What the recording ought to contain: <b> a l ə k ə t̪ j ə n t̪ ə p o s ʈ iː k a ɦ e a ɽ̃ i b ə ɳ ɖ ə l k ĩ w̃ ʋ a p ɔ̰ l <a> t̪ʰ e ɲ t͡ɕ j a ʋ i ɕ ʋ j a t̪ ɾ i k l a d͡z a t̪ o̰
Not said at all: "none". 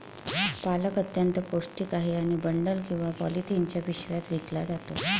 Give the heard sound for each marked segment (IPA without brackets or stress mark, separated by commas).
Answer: p, i